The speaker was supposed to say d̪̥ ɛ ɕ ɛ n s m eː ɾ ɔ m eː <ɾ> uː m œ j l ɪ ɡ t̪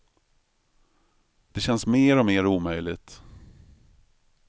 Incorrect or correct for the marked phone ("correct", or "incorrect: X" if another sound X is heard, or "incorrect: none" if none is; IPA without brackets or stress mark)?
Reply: correct